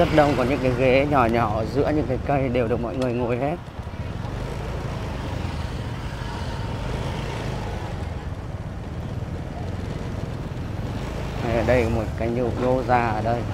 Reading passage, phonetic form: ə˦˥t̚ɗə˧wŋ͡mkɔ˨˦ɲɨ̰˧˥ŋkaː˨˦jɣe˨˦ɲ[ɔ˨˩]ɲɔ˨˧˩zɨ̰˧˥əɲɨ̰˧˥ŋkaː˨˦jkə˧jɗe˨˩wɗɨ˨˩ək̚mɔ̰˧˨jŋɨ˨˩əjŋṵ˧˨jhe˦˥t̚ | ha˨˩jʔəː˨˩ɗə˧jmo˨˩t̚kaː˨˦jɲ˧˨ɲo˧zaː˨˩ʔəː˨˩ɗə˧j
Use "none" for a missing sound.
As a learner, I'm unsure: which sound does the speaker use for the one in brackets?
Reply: ɔ˨˩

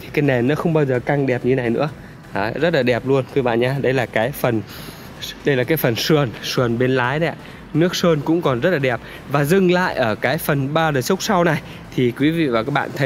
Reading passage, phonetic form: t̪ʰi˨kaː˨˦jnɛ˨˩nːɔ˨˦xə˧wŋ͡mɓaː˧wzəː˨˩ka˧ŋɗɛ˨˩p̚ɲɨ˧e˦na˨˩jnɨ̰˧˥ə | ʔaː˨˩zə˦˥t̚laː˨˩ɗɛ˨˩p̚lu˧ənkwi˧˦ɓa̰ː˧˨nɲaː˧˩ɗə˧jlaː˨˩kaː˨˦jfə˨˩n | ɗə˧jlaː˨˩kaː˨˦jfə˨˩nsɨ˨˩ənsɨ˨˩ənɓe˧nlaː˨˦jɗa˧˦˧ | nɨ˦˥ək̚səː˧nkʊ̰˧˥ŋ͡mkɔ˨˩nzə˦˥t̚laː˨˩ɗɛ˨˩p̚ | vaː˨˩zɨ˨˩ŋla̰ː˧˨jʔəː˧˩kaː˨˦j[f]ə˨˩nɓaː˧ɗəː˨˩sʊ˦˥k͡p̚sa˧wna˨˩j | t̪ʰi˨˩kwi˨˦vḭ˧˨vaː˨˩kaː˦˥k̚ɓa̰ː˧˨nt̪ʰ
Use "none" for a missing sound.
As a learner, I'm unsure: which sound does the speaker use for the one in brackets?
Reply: f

